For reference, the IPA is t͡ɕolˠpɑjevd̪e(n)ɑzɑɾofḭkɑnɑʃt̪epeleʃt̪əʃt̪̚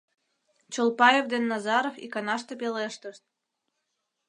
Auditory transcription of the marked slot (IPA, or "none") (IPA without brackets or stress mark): nː